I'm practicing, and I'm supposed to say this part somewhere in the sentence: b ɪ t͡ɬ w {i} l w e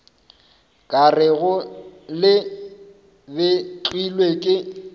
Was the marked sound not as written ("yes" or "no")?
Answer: no